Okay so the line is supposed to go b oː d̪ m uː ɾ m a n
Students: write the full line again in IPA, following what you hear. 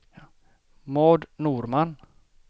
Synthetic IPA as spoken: m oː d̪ n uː ɾ m a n